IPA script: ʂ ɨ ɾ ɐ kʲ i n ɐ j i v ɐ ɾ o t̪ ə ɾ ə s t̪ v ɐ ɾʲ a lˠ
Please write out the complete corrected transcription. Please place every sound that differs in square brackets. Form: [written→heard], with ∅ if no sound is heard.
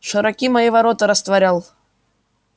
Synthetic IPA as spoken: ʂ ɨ ɾ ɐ kʲ i [n→m] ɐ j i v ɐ ɾ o t̪ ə ɾ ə s t̪ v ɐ ɾʲ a lˠ